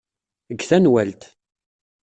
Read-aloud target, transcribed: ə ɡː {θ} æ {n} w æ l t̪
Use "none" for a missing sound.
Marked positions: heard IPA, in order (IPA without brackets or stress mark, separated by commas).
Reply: θ, n